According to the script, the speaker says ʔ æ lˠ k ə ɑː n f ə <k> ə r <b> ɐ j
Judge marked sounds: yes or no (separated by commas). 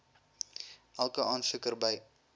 yes, yes